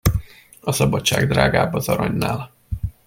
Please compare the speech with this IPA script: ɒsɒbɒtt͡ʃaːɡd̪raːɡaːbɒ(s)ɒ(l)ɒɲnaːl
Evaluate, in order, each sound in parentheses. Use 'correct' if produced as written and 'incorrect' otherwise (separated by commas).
incorrect, incorrect